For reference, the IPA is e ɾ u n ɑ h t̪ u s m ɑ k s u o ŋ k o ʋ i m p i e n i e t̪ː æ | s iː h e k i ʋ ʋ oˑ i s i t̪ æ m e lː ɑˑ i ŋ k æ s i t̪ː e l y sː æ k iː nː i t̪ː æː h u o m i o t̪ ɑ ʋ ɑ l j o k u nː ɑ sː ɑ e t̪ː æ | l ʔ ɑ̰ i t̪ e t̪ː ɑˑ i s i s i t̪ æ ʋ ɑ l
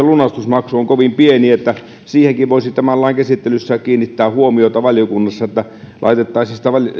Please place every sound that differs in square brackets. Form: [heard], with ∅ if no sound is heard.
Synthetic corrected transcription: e [l] u n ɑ [s] t̪ u s m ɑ k s u o ŋ k o ʋ i m p i e n i e t̪ː æ | s iː h e k i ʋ ʋ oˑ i s i t̪ æ m [æ] lː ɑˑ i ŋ k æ s i t̪ː e l y sː æ k iː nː i t̪ː æː h u o m i o t̪ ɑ ʋ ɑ l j o k u nː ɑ sː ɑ e t̪ː æ | l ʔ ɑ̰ i t̪ e t̪ː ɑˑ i s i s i t̪ æ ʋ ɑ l